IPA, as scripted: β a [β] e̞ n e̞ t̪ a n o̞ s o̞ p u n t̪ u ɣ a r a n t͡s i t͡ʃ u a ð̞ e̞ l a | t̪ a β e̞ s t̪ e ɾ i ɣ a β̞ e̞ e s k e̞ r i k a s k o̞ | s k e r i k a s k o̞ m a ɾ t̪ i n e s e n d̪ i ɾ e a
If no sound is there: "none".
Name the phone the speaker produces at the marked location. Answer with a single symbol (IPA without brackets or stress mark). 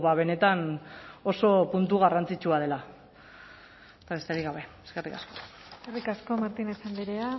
β